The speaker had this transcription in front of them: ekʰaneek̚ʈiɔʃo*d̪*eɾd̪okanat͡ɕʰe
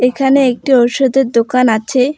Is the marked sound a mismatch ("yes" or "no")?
no